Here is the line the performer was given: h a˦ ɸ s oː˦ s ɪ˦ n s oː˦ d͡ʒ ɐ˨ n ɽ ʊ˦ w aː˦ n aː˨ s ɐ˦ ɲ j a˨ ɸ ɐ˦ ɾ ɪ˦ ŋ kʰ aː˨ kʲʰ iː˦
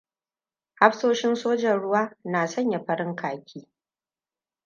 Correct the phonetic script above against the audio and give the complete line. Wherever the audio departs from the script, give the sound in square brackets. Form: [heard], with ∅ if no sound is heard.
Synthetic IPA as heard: h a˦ ɸ s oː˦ [ʃ] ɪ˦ n s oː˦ d͡ʒ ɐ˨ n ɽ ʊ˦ w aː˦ n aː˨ s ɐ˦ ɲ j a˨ ɸ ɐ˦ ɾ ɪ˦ ŋ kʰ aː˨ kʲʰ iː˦